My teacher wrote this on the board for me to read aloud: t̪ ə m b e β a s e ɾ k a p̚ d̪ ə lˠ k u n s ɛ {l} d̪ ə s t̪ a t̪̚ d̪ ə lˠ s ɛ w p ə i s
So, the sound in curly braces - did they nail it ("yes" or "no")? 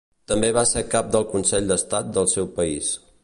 no